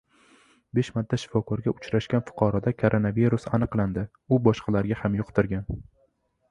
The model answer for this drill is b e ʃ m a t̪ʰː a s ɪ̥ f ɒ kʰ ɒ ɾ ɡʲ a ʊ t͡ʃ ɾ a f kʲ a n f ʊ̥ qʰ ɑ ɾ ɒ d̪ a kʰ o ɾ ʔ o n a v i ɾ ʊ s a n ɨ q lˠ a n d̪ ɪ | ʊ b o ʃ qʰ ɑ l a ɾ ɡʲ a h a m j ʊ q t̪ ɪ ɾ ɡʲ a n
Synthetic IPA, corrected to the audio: b e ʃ m a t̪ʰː a ʃ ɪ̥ f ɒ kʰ ɒ ɾ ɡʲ a ʊ t͡ʃ ɾ a ʃ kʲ a n f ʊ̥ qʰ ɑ ɾ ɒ d̪ a kʰ o ɾ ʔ o n a v i ɾ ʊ s a n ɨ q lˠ a n d̪ ɪ | ʊ b ɒ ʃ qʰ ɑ l a ɾ ɡʲ a h a m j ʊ q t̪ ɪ ɾ ɡʲ a n